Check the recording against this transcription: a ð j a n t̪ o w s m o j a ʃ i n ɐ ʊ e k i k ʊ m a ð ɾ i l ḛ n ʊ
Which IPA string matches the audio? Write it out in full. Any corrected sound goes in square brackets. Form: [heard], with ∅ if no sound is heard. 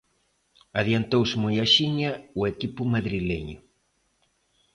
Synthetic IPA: a ð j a n t̪ o w s m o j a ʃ i [ɲ] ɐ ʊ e k i [p] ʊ m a ð ɾ i l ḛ [ɲ] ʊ